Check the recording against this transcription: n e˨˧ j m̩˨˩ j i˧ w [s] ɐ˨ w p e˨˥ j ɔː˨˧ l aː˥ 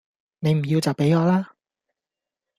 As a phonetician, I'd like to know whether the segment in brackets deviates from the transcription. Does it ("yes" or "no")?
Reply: yes